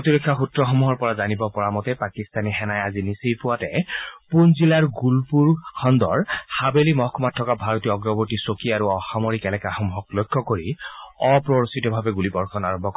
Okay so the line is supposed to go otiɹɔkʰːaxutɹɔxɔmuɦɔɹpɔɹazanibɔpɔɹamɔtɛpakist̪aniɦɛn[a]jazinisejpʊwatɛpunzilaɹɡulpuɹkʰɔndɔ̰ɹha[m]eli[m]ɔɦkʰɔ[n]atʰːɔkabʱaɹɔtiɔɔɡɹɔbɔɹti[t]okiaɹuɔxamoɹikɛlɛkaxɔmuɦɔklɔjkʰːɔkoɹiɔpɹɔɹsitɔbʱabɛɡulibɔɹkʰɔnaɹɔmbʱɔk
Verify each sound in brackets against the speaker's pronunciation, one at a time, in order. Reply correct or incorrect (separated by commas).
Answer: correct, incorrect, correct, incorrect, incorrect